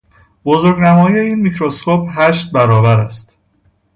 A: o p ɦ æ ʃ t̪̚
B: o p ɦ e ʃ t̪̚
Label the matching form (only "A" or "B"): A